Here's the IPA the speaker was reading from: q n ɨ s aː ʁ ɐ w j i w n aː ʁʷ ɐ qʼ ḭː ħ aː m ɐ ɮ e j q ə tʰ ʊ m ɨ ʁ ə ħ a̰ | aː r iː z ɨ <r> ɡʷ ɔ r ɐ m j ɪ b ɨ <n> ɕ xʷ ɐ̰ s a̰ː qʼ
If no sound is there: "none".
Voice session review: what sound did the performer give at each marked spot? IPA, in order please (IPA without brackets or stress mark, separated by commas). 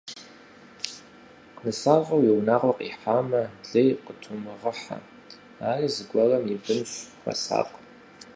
none, m